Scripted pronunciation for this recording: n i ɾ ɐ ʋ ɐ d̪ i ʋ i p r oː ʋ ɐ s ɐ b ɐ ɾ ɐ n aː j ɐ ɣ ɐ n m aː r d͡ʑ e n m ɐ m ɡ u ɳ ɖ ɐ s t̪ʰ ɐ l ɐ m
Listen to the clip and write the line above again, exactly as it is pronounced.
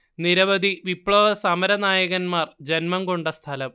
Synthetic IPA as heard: n i ɾ ɐ ʋ ɐ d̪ i ʋ i p ɭ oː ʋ ɐ s ɐ m ɐ ɾ ɐ n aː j ɐ ɣ ɐ n m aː r d͡ʑ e n m ɐ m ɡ o ɳ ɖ ɐ s t̪ʰ ɐ l ɐ m